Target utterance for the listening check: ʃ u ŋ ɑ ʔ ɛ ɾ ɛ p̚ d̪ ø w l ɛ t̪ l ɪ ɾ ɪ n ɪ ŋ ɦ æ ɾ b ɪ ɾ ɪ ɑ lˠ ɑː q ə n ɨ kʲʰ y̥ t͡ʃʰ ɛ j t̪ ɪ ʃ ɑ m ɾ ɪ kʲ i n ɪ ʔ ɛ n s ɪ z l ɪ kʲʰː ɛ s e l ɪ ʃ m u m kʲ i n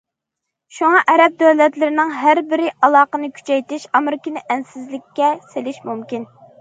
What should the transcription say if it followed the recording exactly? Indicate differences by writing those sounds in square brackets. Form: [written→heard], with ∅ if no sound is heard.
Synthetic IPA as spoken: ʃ u ŋ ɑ ʔ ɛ ɾ ɛ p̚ d̪ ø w l ɛ t̪ l ɪ ɾ ɪ n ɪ ŋ ɦ æ ɾ b ɪ ɾ ɪ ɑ lˠ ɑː q ə n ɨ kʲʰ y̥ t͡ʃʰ ɛ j t̪ ɪ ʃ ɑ m ɾ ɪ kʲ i n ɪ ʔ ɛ n s ɪ z l ɪ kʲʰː ɛ s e l ɪ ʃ m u m kʲ i n